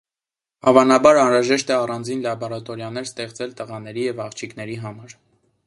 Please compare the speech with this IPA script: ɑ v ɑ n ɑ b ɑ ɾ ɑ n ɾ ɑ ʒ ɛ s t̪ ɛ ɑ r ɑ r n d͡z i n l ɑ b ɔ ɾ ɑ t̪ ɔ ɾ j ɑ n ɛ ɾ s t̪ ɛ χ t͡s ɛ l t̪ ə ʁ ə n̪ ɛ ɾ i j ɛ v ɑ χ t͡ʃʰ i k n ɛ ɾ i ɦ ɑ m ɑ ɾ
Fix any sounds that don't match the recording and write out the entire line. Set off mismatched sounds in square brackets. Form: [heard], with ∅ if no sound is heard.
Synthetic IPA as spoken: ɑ v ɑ n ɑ b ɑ ɾ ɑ n ɾ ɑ ʒ ɛ [ʃ] t̪ ɛ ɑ r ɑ [∅] n d͡z i n l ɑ b ɔ ɾ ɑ t̪ ɔ ɾ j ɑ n ɛ ɾ s t̪ ɛ χ t͡s ɛ l t̪ ə ʁ [ɑ] n̪ ɛ ɾ i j ɛ v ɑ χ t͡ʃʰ i k n ɛ ɾ i ɦ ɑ m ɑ ɾ